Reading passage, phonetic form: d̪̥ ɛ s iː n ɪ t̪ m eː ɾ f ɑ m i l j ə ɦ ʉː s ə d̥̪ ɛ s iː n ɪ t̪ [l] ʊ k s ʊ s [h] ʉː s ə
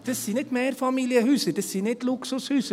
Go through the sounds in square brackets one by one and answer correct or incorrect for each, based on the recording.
correct, correct

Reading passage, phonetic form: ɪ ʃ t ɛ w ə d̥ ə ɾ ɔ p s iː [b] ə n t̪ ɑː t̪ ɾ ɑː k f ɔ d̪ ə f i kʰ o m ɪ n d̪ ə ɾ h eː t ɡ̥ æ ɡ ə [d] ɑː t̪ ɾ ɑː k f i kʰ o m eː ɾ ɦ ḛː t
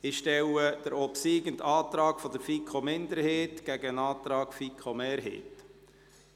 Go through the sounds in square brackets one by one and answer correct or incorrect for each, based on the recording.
incorrect, incorrect

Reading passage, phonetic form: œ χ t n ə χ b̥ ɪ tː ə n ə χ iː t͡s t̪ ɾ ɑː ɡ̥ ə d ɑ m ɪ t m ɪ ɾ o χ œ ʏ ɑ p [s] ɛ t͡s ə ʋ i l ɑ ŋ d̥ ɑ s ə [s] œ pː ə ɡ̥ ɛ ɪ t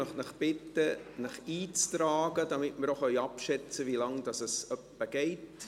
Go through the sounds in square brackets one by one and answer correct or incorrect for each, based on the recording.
incorrect, correct

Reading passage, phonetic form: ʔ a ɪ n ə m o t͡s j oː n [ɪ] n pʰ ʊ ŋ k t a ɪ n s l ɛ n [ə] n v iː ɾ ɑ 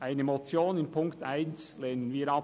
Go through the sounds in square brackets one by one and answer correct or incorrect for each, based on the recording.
correct, correct

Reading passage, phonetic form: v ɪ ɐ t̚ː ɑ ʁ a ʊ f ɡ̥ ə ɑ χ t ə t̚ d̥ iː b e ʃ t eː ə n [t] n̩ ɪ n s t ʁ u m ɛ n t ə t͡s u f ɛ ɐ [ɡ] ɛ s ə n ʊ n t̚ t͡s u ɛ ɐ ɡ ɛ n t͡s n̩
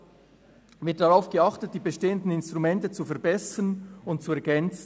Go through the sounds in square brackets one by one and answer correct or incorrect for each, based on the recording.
incorrect, incorrect

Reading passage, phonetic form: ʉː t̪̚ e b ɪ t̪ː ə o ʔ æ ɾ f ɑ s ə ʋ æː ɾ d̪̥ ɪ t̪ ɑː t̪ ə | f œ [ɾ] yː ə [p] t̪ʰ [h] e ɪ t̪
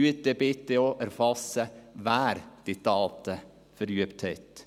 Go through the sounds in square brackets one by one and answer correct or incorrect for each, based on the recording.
correct, correct, correct

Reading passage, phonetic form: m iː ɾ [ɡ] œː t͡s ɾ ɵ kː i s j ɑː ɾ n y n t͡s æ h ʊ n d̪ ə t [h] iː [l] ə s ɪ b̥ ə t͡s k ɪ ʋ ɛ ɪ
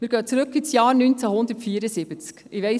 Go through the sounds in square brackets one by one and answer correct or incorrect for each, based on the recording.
correct, incorrect, incorrect

